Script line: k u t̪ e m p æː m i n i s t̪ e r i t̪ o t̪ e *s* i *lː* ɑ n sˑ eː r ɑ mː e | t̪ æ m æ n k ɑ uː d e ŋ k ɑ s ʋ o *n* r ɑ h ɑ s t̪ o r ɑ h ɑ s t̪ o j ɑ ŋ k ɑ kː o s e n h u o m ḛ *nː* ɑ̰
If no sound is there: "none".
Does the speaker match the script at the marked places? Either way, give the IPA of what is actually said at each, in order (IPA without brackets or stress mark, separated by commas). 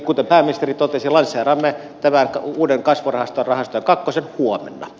s, l, none, nː